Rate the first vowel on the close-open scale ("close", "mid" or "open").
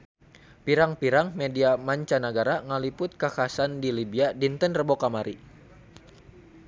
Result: close